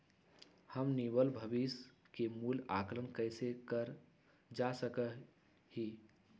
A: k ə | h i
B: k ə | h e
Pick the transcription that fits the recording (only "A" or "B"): A